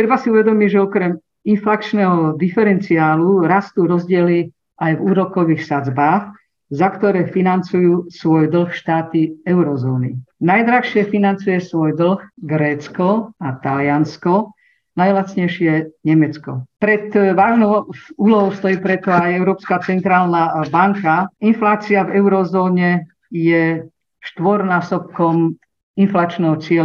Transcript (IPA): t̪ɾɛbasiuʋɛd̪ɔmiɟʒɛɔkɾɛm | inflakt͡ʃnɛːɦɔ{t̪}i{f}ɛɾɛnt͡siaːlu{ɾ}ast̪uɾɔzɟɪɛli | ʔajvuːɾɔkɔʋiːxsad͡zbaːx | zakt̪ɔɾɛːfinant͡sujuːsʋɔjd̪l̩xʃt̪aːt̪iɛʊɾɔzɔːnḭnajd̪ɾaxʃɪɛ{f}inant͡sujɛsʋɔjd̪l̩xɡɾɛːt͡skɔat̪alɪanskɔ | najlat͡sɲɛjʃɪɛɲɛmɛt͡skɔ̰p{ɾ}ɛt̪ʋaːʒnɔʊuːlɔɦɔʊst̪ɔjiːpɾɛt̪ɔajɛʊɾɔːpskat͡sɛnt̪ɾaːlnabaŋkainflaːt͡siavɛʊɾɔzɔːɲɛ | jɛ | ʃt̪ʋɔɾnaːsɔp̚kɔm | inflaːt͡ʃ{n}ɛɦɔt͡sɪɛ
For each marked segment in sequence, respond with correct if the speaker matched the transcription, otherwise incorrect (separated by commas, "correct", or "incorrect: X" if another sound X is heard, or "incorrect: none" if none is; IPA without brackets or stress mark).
incorrect: d̪, correct, correct, correct, correct, correct